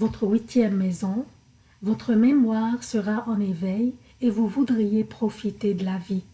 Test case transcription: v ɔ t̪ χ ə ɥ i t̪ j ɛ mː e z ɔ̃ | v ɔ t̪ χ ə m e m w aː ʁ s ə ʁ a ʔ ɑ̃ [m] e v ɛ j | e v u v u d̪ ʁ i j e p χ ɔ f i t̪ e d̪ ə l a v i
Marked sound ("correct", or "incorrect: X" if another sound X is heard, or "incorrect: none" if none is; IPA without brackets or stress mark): incorrect: n